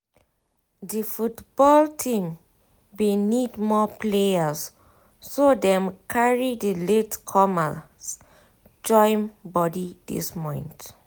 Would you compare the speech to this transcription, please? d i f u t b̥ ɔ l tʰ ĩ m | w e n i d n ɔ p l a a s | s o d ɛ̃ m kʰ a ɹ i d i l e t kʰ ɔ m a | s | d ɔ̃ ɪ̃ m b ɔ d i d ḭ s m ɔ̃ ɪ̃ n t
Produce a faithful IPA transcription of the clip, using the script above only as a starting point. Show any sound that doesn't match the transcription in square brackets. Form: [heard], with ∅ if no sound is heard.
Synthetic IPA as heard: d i f u t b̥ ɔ l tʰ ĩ m | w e n i d [m] ɔ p l [e] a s | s o d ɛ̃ m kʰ a ɹ i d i l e t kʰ ɔ m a | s | [d͡ʒ] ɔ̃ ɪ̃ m b ɔ d i d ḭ s m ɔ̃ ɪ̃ n t